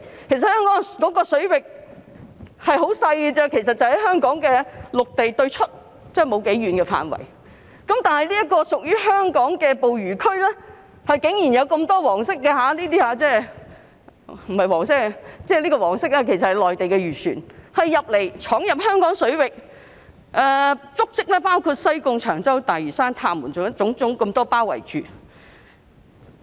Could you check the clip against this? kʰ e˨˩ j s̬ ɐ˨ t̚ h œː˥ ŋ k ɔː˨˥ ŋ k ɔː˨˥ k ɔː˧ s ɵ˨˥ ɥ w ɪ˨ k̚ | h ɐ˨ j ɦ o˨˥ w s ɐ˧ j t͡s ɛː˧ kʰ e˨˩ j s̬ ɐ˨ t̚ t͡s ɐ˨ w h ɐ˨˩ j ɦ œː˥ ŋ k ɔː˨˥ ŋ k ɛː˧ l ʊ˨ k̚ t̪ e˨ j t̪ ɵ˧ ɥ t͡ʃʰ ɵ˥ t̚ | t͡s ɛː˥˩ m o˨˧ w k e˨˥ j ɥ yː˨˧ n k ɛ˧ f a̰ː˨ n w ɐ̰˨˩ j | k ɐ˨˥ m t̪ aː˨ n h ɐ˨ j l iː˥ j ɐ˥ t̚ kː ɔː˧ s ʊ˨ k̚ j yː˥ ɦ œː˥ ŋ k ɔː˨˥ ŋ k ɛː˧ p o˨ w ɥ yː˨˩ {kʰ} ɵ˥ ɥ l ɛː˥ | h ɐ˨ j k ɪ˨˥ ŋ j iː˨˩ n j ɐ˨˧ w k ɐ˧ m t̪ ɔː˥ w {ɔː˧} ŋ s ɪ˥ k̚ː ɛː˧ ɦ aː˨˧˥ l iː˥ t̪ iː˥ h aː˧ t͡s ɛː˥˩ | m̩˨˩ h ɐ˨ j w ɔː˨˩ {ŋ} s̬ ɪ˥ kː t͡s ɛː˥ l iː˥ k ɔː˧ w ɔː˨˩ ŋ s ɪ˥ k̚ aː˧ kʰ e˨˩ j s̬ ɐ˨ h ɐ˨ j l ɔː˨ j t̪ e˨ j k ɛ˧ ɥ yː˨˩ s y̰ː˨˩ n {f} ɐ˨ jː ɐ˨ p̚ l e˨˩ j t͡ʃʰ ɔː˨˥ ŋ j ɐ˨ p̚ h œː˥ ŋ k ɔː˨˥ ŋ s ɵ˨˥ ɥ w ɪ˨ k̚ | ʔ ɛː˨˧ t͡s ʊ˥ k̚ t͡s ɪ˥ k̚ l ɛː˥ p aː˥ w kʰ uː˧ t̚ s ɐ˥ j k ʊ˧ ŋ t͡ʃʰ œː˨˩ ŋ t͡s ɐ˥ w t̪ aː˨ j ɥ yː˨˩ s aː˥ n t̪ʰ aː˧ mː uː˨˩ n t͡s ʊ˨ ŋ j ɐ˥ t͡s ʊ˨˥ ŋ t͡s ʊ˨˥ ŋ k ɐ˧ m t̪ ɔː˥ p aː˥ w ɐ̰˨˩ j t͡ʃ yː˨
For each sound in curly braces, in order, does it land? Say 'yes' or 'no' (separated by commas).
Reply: yes, no, yes, no